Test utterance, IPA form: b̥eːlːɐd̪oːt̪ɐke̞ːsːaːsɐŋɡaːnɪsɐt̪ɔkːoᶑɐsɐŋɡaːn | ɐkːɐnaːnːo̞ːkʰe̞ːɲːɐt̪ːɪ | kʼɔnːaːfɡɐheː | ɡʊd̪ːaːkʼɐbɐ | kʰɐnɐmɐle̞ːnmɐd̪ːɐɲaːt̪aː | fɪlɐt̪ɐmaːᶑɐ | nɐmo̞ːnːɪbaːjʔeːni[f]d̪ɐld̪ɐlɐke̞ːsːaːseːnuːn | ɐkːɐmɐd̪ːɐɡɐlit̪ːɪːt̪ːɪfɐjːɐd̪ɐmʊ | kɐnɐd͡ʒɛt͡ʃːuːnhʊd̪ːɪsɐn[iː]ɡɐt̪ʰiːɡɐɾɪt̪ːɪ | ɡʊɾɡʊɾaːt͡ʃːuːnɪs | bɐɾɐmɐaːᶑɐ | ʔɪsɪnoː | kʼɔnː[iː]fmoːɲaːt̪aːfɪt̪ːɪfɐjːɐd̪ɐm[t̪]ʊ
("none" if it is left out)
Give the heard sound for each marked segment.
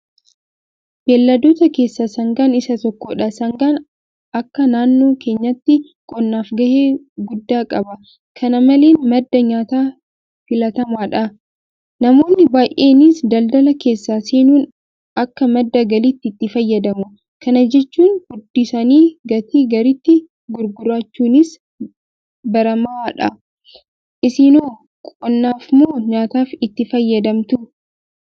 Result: s, iː, aː, t̪

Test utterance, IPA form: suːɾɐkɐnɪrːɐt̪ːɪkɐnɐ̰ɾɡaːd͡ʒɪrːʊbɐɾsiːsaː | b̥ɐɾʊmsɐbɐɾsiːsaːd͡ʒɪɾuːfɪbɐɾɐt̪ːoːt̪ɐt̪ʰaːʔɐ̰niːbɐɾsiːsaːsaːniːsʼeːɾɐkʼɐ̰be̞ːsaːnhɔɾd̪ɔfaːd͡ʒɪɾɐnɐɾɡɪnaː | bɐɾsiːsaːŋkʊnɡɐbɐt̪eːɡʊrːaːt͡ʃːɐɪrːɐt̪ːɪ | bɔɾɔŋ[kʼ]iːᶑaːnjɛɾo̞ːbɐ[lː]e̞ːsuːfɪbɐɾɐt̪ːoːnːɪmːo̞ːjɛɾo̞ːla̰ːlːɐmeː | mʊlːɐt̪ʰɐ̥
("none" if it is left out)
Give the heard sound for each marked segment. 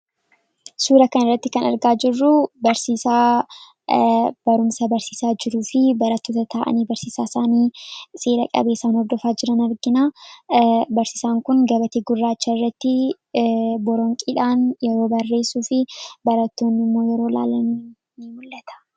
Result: kʼ, rː

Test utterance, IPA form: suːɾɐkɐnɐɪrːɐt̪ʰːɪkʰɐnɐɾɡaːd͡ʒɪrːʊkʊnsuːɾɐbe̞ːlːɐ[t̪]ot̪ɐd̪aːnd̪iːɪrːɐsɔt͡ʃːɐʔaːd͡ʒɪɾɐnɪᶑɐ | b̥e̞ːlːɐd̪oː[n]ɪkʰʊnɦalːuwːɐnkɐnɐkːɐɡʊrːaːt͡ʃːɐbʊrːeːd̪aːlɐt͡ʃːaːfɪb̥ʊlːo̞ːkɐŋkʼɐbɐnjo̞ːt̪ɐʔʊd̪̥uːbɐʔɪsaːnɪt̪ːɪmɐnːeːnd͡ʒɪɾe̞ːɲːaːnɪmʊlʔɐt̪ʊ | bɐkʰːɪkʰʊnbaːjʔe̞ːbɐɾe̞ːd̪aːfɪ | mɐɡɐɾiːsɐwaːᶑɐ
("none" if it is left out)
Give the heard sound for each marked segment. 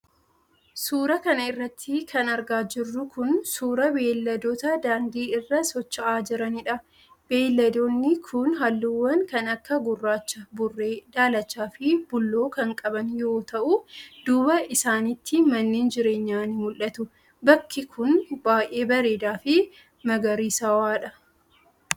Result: d̪, nː

